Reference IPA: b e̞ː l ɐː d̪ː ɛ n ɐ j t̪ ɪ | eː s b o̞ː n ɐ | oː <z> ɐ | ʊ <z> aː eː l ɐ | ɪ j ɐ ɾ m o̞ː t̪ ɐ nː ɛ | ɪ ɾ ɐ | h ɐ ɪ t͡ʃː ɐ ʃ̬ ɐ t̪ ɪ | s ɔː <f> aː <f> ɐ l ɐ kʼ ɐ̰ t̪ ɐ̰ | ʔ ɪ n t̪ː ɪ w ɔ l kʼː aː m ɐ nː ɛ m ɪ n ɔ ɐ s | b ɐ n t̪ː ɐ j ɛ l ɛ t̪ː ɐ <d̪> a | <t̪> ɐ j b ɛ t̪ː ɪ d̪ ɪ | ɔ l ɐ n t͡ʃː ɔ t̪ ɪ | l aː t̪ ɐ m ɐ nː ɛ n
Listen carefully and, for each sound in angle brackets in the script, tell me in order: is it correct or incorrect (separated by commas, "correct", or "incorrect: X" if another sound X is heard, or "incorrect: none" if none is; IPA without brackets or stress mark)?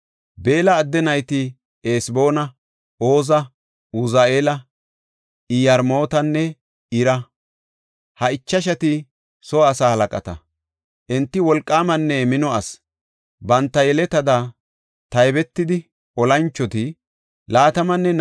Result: correct, correct, incorrect: s, incorrect: h, correct, correct